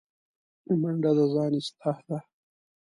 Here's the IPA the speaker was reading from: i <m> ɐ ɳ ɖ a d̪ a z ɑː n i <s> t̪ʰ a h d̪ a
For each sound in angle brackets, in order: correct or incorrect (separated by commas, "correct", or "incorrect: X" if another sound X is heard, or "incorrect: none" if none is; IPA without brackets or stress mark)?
correct, correct